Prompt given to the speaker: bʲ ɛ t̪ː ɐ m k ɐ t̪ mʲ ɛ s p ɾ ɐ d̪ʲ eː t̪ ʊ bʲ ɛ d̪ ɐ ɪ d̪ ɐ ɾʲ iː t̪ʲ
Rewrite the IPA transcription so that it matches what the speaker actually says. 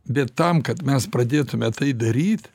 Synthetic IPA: bʲ ɛ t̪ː ɐ m k ɐ t̪ mʲ ɛ s p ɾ ɐ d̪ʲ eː t̪ ʊ mʲ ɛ t̪ ɐ ɪ d̪ ɐ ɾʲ iː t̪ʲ